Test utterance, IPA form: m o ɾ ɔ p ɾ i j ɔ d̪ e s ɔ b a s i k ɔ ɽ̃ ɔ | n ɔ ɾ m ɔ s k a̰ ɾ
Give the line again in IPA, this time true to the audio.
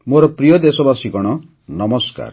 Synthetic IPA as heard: m o ɾ ɔ p ɾ i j ɔ d̪ e s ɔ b a s i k ɔ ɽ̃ ɔ | n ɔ m ɔ s k a̰ ɾ

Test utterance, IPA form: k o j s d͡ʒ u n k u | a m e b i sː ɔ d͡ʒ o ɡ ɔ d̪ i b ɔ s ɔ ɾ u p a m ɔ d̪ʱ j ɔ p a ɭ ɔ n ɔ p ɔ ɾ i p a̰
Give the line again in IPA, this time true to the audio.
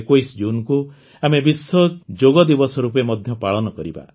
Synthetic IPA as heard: k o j s d͡ʒ u n k u | a m e b i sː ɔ d͡ʒ o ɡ ɔ d̪ i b ɔ s ɔ ɾ u p e m ɔ d̪ʱ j ɔ p a ɭ ɔ n ɔ k ɔ ɾ i b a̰

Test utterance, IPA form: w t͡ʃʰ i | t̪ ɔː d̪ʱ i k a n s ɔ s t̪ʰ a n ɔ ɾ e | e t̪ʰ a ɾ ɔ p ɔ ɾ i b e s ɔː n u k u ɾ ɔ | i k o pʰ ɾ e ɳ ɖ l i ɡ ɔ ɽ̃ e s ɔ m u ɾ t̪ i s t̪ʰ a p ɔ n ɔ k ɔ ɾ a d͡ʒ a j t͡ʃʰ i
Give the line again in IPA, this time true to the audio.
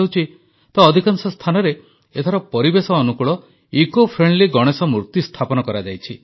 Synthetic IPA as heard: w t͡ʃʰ i | t̪ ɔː d̪ʱ i k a n s ɔ s t̪ʰ a n ɔ ɾ e | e t̪ʰ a ɾ ɔ p ɔ ɾ i b e s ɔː n u k u ɭ ɔ | i k o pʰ ɾ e ɳ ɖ l i ɡ ɔ ɽ̃ e s ɔ m u ɾ t̪ i s t̪ʰ a p ɔ n ɔ k ɔ ɾ a d͡ʒ a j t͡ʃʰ i

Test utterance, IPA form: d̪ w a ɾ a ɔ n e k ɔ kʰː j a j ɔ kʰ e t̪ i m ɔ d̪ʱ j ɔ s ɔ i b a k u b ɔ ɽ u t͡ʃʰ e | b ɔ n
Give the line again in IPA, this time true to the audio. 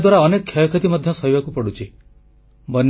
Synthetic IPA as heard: d̪ w a ɾ a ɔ n e k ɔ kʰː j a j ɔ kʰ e t̪ i m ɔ d̪ʱ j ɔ s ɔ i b a k u p ɔ ɽ u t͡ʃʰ i | b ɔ n

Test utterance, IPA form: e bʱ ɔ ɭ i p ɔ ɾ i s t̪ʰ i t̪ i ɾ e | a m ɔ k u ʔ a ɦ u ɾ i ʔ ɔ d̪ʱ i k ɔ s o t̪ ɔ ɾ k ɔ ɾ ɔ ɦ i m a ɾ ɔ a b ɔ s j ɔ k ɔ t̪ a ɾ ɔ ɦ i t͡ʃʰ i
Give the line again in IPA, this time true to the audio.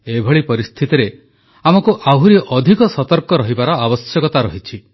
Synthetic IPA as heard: e bʱ ɔ ɭ i p ɔ ɾ i s t̪ʰ i t̪ i ɾ e | a m ɔ k u ʔ a ɦ u ɾ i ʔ ɔ d̪ʱ i k ɔ s ɔ t̪ ɔ ɾ k ɔ ɾ ɔ ɦ i b a ɾ ɔ a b ɔ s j ɔ k ɔ t̪ a ɾ ɔ ɦ i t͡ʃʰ i

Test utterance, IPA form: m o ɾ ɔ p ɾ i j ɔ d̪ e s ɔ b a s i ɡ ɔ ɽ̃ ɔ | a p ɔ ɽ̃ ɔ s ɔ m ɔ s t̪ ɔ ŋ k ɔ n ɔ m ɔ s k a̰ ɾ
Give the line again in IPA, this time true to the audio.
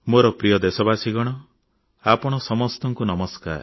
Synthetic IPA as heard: m o ɾ ɔ p ɾ i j ɔ d̪ e s ɔ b a s i ɡ ɔ ɽ̃ ɔ | a p ɔ ɽ̃ ɔ s ɔ m ɔ s t̪ ɔ ŋ k u n ɔ m ɔ s k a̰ ɾ

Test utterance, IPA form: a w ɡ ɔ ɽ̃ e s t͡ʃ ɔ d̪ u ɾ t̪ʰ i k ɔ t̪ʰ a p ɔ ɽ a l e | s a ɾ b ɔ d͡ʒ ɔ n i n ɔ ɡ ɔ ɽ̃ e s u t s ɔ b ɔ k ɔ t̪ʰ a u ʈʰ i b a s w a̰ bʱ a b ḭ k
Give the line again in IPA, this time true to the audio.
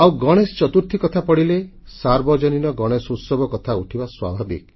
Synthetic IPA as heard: a w ɡ ɔ ɽ̃ e s t͡ʃ ɔ t̪ u ɾ t̪ʰ i k ɔ t̪ʰ a p ɔ ɽ i l e | s a ɾ b ɔ d͡ʒ ɔ n i n ɔ ɡ ɔ ɽ̃ e s u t s ɔ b ɔ k ɔ t̪ʰ a u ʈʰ i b a s w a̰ bʱ a b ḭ k

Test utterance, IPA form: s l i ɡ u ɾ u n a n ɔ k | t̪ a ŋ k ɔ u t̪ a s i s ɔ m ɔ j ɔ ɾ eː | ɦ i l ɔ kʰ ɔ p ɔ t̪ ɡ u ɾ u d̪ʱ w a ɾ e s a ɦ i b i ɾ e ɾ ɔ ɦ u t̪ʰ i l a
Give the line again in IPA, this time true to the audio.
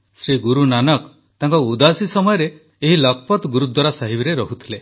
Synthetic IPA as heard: s ɾ i ɡ u ɾ u n a n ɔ k | t̪ a ŋ k ɔ u d̪ a s i s ɔ m ɔ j ɔ ɾ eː | ɦ i l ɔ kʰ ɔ p ɔ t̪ ɡ u ɾ u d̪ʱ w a ɾ a s a ɦ i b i ɾ e ɾ ɔ ɦ u t̪ʰ i l e

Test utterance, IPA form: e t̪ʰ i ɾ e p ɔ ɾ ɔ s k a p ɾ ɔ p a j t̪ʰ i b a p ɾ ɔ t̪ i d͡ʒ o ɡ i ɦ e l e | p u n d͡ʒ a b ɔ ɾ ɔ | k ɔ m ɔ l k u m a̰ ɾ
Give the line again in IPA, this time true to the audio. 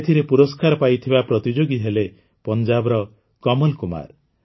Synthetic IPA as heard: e t̪ʰ i ɾ e p u ɾ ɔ s k a ɾ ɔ p a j t̪ʰ i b a p ɾ ɔ t̪ i d͡ʒ o ɡ i ɦ e l e | p ɔ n d͡ʒ a b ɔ ɾ ɔ | k ɔ m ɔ l k u m a̰ ɾ

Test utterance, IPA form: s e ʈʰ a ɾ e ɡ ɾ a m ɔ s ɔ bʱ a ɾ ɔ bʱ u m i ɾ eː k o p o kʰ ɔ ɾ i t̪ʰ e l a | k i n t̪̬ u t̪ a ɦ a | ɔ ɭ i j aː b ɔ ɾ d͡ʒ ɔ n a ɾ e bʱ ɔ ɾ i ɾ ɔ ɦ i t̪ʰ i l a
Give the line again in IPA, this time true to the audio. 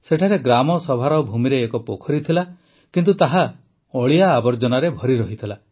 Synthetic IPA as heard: s e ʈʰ a ɾ e ɡ ɾ a m ɔ s ɔ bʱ a ɾ ɔ bʱ u m i ɾ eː k ɔ p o kʰ ɔ ɾ i t̪ʰ i l a | k i n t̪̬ u t̪ a ɦ a | ɔ ɭ i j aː b ɔ ɾ d͡ʒ ɔ n a ɾ e bʱ ɔ ɾ i ɾ ɔ ɦ i t̪ʰ i l a

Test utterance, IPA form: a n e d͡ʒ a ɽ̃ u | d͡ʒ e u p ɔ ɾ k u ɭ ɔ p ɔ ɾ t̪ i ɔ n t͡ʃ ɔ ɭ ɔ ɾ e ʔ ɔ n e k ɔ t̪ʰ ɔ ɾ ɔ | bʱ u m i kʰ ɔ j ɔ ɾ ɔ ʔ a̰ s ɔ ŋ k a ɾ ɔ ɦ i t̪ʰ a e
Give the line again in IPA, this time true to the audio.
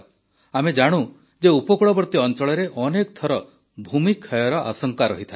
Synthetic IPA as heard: a m e d͡ʒ a ɽ̃ u | d͡ʒ e u p ɔ k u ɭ ɔ b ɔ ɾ t̪ i ɔ n t͡ʃ ɔ ɭ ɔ ɾ e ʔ ɔ n e k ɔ t̪ʰ ɔ ɾ ɔ | bʱ u m i kʰ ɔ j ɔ ɾ ɔ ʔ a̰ s ɔ ŋ k a ɾ ɔ ɦ i t̪ʰ a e

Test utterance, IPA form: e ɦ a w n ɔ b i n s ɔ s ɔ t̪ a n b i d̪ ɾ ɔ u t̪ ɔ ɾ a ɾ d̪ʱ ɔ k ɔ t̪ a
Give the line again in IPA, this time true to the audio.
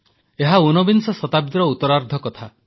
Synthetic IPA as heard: e ɦ a u n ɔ b i n s ɔ s ɔ t̪ a b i d̪ ɾ ɔ u t̪ ɔ ɾ a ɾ d̪ʱ ɔ k ɔ t̪ʰ a

